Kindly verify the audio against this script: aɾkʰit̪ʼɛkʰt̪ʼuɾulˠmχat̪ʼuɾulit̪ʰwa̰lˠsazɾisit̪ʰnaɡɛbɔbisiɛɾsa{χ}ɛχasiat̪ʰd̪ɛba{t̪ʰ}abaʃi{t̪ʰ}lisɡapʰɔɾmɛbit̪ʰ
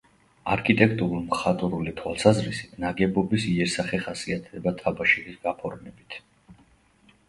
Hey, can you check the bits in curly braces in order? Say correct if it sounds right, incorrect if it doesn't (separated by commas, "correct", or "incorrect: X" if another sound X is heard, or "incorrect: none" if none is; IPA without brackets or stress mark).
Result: correct, correct, incorrect: none